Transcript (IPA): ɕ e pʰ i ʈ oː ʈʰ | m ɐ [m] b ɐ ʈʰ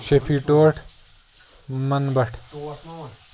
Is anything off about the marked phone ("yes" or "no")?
yes